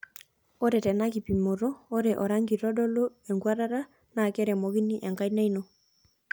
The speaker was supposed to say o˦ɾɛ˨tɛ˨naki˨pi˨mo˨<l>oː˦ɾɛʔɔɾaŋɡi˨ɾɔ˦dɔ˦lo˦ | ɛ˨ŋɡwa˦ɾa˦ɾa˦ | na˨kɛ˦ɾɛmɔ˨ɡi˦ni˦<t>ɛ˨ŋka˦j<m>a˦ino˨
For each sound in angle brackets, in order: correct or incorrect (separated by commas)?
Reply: incorrect, incorrect, incorrect